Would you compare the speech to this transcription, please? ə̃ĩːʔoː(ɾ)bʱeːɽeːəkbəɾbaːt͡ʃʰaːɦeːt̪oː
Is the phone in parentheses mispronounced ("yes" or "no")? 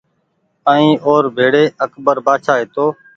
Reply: no